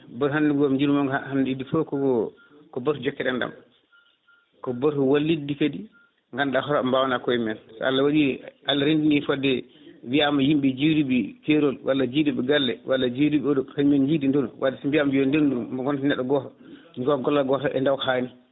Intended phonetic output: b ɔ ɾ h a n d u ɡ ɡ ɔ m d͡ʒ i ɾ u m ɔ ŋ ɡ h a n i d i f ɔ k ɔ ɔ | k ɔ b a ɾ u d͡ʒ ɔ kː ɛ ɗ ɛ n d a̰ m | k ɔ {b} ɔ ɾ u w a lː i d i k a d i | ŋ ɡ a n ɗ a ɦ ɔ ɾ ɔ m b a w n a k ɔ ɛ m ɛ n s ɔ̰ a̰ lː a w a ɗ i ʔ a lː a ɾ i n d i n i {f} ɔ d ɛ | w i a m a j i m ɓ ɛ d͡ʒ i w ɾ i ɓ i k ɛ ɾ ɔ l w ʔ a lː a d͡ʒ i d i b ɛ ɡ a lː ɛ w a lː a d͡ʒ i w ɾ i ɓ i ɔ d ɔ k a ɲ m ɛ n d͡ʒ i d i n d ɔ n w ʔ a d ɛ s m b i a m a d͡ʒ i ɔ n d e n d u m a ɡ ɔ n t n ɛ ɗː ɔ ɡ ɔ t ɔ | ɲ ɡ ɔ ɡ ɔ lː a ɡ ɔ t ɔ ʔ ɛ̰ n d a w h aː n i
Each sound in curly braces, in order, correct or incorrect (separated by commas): correct, correct